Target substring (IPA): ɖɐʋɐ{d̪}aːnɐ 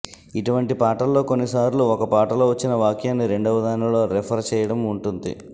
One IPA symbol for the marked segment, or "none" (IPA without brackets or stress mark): d̪